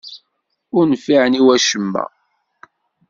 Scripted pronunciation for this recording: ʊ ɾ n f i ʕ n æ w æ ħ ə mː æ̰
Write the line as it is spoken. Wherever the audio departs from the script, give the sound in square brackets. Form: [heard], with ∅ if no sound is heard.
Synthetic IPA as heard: ʊ ɾ n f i ʕ n [i] w æ [ʃ] ə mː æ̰